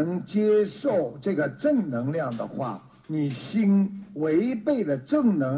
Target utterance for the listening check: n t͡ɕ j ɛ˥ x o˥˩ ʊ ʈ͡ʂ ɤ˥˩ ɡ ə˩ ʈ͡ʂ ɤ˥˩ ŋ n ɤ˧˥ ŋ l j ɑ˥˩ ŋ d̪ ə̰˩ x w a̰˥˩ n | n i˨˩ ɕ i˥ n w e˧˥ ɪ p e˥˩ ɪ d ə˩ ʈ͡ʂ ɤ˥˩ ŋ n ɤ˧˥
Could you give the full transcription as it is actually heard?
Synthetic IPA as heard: ŋ t͡ɕ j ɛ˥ ʂ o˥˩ ʊ ʈ͡ʂ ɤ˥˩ ɡ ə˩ ʈ͡ʂ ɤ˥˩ ŋ n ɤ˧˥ ŋ l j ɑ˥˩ ŋ d̪ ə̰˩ x w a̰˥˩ | n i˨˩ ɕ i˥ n w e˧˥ ɪ p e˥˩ ɪ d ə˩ ʈ͡ʂ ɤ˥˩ ŋ n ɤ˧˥